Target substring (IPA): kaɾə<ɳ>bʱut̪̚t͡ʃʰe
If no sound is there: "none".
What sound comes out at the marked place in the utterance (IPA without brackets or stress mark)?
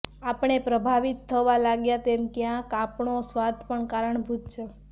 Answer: ɳ